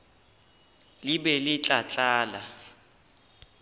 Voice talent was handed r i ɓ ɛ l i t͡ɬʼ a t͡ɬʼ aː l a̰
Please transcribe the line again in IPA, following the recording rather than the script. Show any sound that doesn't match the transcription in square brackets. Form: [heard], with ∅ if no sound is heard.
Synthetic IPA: [l] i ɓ ɛ l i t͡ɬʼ a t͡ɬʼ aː l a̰